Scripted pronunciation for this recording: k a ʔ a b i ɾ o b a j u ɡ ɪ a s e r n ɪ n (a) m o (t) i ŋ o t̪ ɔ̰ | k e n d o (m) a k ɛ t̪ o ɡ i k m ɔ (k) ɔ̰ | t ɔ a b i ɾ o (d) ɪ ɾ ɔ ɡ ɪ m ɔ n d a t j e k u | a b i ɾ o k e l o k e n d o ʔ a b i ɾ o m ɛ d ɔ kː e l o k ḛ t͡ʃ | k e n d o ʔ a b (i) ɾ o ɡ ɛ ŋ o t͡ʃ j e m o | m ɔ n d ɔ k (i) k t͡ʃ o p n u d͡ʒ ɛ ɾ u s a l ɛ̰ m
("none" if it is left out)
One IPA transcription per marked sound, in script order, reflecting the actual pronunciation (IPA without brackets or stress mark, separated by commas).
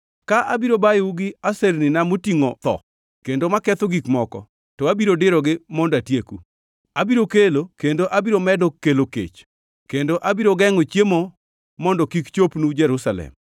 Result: a, t, m, k, d, i, i